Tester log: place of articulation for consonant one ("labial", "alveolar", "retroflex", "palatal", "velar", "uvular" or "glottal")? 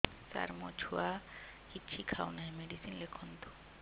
alveolar